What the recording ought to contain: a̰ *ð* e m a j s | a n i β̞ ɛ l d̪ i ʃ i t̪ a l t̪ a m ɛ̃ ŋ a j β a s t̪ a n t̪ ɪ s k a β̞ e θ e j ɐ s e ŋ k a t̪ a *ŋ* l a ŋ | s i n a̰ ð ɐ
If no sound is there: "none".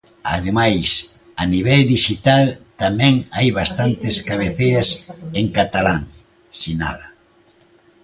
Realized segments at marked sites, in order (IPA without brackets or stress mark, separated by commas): ð, none